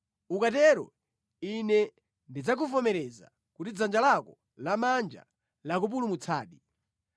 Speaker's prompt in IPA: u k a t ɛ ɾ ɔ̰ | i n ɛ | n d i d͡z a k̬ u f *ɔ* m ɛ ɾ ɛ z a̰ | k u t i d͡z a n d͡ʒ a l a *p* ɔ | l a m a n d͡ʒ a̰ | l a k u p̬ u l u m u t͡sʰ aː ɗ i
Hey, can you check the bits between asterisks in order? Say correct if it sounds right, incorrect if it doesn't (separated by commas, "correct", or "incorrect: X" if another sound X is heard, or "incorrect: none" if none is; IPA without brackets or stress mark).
correct, incorrect: k